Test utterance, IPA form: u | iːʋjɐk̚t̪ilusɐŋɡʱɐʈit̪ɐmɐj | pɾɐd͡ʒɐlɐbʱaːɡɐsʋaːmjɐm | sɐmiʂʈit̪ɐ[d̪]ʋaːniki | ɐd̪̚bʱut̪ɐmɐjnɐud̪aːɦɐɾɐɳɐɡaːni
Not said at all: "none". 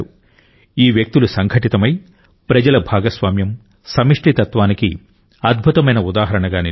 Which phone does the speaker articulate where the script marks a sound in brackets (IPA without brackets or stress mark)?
t̪